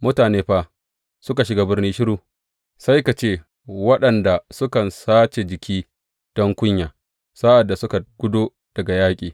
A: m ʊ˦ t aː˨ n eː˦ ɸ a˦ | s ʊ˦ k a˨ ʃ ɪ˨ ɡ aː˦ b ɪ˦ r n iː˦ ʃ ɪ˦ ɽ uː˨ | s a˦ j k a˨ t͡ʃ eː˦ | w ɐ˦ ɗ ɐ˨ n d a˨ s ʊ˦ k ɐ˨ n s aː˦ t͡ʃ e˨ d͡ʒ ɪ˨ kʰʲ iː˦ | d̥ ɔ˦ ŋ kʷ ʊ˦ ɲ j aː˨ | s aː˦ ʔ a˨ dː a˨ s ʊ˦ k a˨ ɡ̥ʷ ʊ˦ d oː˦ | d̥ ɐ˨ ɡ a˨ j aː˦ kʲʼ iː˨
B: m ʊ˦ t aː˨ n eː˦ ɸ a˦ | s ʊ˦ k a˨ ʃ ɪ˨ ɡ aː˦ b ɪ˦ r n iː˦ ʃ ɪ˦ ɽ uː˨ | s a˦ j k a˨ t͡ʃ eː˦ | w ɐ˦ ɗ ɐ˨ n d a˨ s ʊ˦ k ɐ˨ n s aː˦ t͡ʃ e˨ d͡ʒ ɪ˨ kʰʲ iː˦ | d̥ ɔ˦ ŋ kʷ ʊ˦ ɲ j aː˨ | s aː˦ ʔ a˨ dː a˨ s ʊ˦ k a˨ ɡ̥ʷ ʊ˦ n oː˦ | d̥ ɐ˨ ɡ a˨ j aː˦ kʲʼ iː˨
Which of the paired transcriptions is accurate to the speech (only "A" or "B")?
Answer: A